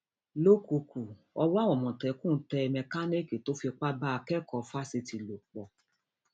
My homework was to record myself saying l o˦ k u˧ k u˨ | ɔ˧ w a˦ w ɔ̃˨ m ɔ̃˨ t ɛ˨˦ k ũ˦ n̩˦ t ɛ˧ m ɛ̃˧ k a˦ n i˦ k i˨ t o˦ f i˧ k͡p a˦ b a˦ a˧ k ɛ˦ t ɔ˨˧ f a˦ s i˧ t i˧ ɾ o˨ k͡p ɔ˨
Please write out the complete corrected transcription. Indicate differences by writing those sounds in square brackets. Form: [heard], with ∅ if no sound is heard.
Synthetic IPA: l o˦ k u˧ k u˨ | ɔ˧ w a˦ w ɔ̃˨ m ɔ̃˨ t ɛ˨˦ k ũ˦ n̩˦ t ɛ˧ m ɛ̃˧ k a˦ n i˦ k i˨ t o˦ f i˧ k͡p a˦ b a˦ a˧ k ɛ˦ [k] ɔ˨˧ f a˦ s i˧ t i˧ [l] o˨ k͡p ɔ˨